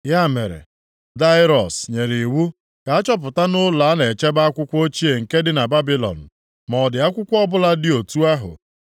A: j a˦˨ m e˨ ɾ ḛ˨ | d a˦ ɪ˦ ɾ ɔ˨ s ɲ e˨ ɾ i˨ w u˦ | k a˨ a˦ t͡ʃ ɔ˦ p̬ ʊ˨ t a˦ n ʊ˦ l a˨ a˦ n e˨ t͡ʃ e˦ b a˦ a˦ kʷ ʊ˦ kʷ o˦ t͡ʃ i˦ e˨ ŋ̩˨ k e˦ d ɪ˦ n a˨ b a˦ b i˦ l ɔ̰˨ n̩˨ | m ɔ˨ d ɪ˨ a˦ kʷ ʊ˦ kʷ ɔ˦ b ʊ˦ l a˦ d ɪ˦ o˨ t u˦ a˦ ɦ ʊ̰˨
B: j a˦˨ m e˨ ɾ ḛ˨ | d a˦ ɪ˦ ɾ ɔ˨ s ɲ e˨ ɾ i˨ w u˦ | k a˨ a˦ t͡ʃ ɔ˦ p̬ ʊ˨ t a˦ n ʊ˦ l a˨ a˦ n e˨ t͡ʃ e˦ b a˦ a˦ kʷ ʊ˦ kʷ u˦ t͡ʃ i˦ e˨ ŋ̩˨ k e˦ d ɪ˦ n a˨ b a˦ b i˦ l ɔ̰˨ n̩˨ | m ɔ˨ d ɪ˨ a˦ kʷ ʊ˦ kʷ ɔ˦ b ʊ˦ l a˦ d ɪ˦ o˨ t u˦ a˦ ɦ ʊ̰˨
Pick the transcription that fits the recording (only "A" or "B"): A